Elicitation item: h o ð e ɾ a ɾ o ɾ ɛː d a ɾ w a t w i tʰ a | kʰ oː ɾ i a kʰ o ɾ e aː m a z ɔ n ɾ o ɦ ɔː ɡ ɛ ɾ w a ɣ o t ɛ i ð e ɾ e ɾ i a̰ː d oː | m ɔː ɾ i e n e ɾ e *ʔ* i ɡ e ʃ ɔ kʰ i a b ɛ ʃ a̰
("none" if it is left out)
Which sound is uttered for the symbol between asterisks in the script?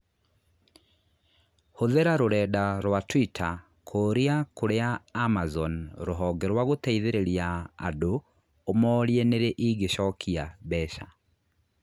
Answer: ʔ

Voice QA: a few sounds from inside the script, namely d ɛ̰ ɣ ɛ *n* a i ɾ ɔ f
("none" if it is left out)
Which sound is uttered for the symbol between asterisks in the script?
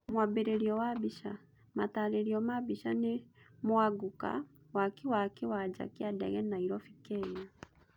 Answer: n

